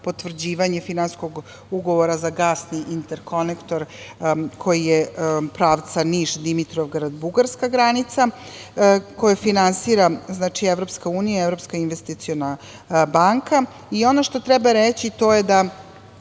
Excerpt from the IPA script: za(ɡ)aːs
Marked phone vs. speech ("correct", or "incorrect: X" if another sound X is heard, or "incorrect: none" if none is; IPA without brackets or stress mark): correct